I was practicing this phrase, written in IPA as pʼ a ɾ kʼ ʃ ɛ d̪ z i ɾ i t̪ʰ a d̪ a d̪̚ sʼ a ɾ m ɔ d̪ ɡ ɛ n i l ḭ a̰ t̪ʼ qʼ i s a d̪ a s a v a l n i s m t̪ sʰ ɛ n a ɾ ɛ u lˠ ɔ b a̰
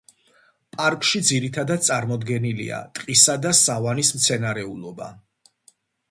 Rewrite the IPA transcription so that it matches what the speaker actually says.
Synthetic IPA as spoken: pʼ a ɾ kʼ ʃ i d̪ z i ɾ i t̪ʰ a d̪ a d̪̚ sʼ a ɾ m ɔ d̪ ɡ ɛ n i l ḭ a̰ t̪ʼ qʼ i s a d̪ a s a v a n i s m t̪ sʰ ɛ n a ɾ ɛ u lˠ ɔ b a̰